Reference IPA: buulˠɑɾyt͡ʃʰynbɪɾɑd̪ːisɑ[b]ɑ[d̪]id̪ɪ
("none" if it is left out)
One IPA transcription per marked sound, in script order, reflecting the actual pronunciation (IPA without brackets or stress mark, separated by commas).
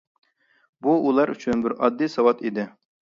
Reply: w, t̪